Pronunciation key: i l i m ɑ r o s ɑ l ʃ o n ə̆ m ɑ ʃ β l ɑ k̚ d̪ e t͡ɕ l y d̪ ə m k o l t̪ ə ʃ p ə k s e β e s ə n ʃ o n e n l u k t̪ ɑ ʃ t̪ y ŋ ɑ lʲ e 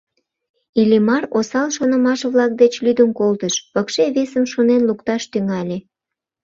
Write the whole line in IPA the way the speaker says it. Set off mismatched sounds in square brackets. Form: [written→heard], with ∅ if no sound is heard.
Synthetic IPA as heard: i l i m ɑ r o s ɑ l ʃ o n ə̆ m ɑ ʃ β l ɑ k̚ d̪ e t͡ɕ l y d̪ ə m k o l t̪ ə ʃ p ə k [s→ʃ] e β e s ə [n→m] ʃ o n e n l u k t̪ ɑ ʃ t̪ y ŋ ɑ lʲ e